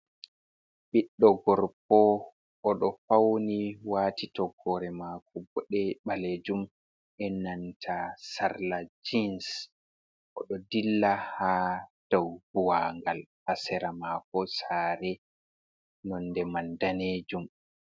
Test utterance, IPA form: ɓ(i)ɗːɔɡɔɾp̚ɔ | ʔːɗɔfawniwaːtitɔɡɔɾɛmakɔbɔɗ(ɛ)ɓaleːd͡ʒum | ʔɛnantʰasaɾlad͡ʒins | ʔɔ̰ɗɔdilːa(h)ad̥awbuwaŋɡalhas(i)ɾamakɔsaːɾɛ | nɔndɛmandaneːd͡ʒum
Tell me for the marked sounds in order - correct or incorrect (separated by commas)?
correct, correct, correct, incorrect